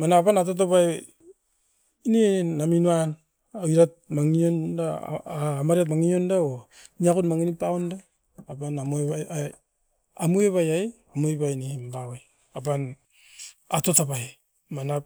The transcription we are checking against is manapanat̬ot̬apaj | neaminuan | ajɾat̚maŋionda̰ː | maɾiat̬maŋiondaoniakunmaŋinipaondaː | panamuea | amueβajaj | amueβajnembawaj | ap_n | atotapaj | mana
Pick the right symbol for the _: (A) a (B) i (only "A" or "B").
A